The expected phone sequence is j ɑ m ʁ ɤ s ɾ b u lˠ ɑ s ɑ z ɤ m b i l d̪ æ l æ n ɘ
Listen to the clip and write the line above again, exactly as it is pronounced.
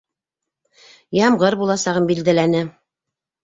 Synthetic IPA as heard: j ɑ m ʁ ɤ ɾ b u lˠ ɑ s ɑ ʁ ɤ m b i l d̪ æ l æ n ɘ